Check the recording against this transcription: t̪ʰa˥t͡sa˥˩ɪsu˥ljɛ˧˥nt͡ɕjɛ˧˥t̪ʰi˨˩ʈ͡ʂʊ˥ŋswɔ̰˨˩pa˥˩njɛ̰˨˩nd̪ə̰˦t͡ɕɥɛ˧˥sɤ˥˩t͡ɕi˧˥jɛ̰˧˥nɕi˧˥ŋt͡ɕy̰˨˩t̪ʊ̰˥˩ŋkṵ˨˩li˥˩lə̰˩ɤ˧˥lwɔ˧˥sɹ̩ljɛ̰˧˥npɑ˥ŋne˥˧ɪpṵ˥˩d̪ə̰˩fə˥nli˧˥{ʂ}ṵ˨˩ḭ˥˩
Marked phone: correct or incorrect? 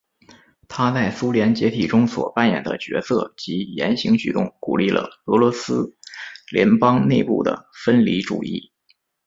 incorrect